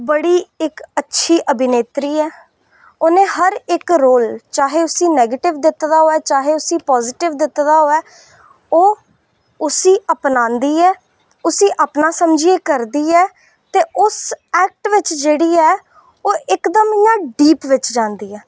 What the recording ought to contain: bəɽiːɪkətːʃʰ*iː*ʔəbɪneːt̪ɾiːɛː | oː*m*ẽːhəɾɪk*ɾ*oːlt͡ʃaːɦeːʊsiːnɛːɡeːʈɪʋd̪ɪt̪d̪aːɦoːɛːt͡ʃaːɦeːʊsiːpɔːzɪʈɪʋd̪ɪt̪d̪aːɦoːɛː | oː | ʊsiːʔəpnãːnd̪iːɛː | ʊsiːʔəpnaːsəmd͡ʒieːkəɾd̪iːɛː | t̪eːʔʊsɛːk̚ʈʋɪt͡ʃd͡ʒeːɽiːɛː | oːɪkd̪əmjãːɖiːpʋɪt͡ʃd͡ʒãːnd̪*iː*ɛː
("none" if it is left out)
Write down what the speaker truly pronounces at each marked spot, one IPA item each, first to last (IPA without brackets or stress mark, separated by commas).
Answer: iː, n, ɾ, iː